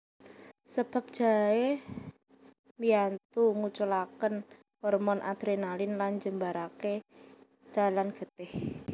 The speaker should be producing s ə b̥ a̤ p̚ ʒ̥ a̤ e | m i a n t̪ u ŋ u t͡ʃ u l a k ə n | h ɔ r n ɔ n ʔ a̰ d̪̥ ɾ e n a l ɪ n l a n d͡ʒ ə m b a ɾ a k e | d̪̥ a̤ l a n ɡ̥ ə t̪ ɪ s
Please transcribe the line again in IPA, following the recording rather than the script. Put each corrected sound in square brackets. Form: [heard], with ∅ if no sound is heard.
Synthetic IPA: s ə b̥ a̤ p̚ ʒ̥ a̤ e | m i a n t̪ u ŋ u t͡ʃ u l a k ə n | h ɔ r [m] ɔ n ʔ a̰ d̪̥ ɾ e n a l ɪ n l a n d͡ʒ ə m b a ɾ a k e | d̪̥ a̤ l a n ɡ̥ ə t̪ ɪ [h]

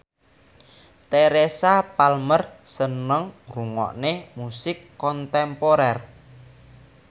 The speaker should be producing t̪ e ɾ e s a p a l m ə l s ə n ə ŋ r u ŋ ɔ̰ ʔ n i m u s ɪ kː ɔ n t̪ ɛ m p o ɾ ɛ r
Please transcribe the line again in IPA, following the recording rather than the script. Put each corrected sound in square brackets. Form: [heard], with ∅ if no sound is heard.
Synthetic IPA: t̪ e ɾ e s a p a l m ə [r] s ə n ə ŋ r u ŋ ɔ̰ ʔ n [e] m u s ɪ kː ɔ n t̪ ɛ m p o ɾ ɛ r

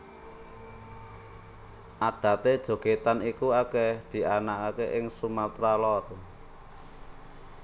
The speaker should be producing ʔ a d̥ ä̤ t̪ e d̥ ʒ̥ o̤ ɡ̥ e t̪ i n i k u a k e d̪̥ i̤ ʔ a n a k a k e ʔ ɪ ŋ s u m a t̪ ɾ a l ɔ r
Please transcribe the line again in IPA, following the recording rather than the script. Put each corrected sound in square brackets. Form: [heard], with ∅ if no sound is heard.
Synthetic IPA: ʔ a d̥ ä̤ t̪ e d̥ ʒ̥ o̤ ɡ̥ e t̪ [a] n i k u a k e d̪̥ i̤ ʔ a n a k a k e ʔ ɪ ŋ s u m a t̪ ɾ a l ɔ r

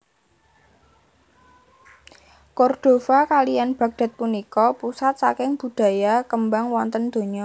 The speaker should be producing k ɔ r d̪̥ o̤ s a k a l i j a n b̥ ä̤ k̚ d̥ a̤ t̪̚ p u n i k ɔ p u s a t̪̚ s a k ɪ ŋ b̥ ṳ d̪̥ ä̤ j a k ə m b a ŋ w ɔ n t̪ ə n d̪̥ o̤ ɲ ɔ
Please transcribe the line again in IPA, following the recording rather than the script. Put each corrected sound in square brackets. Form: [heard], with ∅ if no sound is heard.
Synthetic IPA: k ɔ r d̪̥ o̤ [f] a k a l i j a n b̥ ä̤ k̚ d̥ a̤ t̪̚ p u n i k ɔ p u s a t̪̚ s a k ɪ ŋ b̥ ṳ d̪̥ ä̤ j a k ə m b a ŋ w ɔ n t̪ ə n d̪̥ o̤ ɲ ɔ

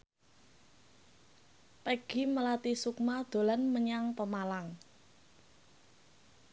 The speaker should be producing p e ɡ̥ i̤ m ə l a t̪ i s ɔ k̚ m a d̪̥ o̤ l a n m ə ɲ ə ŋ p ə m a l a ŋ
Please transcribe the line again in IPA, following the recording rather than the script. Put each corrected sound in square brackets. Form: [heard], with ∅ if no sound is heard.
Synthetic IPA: p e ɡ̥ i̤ m ə l a t̪ i s [u] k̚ m a d̪̥ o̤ l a n m ə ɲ [a] ŋ p ə m a l a ŋ

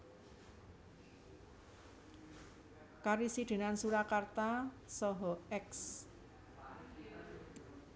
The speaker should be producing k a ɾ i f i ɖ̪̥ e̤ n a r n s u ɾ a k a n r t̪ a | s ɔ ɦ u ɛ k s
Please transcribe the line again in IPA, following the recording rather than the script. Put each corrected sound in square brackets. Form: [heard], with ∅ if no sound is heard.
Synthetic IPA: k a ɾ i [s] i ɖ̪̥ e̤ n a [∅] n s u ɾ a k a [∅] r t̪ a | s ɔ ɦ [ɔ] ɛ k s

